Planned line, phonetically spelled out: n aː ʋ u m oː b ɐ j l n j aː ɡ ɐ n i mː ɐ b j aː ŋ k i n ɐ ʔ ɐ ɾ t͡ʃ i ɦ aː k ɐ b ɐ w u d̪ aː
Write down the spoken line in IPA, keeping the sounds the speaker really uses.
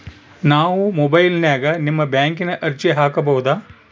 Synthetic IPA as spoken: n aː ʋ u m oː b ɐ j l n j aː ɡ ɐ n i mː ɐ b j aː ŋ k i n ɐ ʔ ɐ ɾ t͡ʃ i ɦ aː k ɐ b ɐ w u d̪ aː